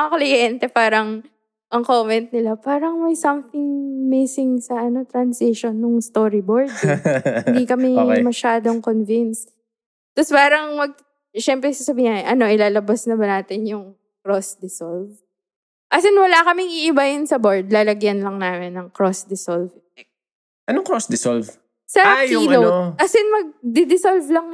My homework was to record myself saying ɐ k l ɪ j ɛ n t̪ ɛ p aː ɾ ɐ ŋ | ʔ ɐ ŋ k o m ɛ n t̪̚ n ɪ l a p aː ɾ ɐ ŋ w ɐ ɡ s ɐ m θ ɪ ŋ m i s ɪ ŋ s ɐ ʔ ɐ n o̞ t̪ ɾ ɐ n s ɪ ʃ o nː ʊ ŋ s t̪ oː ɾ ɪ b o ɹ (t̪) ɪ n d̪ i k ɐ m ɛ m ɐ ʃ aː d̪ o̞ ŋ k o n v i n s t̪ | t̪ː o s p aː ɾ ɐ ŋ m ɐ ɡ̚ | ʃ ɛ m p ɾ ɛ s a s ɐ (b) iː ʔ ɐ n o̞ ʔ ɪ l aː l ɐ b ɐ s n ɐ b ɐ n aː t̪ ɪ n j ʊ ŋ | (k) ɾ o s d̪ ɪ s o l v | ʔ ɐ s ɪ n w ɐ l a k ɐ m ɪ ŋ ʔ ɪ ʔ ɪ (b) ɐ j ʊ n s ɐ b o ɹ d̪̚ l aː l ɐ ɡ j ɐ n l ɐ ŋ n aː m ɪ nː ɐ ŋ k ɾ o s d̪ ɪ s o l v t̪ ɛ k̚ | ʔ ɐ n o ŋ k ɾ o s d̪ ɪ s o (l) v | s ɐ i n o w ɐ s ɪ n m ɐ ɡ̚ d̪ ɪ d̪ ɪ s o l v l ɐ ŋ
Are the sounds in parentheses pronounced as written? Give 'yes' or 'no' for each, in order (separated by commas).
no, yes, yes, yes, yes